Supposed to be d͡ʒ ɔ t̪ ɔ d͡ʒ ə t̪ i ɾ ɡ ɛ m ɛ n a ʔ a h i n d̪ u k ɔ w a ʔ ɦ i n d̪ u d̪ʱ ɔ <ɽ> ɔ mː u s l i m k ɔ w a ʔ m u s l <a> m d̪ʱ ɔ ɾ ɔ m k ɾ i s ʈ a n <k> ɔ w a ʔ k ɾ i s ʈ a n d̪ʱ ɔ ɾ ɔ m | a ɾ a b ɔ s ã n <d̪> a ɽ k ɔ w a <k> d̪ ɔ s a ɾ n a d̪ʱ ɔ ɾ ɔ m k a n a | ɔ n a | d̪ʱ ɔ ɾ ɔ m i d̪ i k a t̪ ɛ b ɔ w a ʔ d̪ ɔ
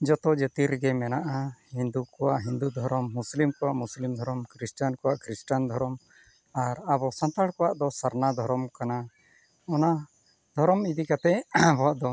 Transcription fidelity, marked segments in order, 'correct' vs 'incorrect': incorrect: ɾ, incorrect: i, correct, incorrect: t̪, incorrect: ʔ

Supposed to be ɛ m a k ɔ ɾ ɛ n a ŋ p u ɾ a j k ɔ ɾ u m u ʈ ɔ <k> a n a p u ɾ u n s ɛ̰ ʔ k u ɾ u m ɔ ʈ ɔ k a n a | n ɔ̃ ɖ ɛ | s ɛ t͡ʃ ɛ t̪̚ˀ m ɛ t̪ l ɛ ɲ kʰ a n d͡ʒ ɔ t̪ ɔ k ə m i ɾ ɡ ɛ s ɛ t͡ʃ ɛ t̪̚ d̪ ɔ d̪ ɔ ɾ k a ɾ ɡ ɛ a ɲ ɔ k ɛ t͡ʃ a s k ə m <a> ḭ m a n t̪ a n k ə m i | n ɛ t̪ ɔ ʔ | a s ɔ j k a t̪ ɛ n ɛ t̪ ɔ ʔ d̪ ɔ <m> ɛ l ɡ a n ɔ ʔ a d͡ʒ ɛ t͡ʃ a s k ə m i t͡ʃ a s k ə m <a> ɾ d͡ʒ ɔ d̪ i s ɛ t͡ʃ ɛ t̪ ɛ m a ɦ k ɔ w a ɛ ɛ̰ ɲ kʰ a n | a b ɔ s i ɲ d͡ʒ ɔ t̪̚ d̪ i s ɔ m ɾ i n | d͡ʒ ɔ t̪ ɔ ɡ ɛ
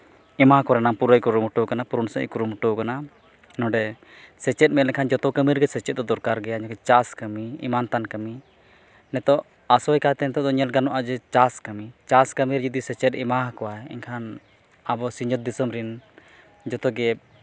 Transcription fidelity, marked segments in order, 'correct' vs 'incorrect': correct, incorrect: i, incorrect: ɲ, incorrect: i

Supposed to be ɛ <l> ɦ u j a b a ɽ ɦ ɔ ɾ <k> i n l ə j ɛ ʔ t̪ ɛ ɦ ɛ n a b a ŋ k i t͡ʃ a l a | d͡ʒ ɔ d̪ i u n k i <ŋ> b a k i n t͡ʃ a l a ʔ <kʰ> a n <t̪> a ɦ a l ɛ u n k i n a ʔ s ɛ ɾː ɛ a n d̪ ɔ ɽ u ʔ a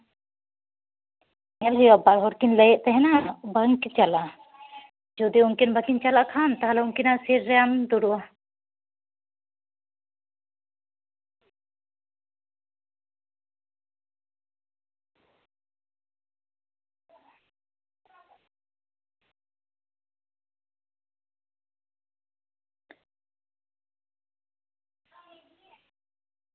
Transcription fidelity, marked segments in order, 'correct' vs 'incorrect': correct, correct, incorrect: n, correct, correct

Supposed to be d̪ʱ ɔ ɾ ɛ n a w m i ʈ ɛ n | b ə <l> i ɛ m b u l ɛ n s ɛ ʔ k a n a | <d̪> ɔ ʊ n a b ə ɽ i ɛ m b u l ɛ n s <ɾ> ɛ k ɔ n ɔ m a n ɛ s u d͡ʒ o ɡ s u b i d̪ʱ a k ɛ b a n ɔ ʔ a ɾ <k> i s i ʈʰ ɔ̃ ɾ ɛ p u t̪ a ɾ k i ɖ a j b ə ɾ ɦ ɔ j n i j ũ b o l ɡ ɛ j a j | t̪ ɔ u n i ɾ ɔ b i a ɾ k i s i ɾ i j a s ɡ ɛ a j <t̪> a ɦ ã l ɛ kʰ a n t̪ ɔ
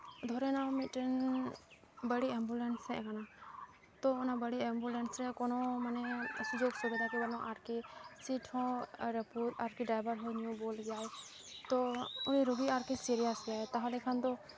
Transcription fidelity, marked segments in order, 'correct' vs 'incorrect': incorrect: ɽ, incorrect: t̪, correct, correct, correct

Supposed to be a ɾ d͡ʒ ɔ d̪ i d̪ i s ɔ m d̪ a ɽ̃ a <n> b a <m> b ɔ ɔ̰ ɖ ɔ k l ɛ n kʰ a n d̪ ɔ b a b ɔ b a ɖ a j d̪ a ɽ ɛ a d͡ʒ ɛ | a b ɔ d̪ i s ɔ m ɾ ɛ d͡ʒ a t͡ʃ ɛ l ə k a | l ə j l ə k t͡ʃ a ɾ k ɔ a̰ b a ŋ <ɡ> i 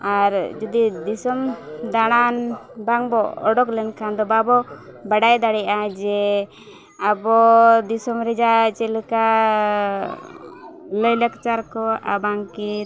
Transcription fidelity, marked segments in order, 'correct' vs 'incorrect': correct, incorrect: ŋ, incorrect: k

